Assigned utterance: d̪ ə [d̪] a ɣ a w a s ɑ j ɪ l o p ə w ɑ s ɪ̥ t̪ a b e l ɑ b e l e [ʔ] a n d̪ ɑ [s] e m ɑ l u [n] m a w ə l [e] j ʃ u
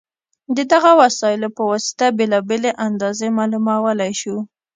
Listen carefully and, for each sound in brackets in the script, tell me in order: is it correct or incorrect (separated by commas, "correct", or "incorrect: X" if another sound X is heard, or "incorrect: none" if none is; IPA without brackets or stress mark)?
correct, correct, incorrect: z, incorrect: none, incorrect: a